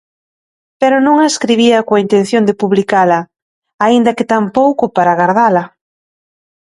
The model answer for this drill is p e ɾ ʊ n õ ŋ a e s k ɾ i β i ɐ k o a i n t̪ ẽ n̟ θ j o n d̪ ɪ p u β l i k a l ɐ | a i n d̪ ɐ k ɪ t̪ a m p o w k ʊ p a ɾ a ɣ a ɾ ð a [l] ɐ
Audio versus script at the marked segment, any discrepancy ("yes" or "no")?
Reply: no